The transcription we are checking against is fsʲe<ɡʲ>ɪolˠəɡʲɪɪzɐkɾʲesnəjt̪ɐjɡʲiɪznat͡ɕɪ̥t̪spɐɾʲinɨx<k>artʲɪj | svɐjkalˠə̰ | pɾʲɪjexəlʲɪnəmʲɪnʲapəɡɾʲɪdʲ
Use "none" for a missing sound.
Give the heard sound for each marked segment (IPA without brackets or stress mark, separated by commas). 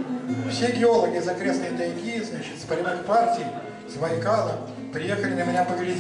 ɡʲ, p